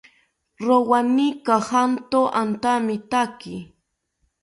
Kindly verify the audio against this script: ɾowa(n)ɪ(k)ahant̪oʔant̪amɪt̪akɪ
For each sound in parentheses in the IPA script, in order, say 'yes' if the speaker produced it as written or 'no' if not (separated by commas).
yes, yes